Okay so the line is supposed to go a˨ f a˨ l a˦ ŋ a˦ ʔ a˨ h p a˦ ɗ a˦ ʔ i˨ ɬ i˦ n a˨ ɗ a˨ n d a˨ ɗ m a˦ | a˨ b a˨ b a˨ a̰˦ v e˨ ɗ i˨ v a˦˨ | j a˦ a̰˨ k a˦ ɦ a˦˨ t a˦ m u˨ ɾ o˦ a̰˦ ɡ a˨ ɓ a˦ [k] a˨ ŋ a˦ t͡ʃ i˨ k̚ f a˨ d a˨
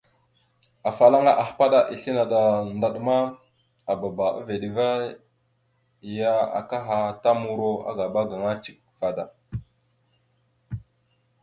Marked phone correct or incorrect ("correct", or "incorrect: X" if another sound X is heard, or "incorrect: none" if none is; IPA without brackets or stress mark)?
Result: incorrect: ɡ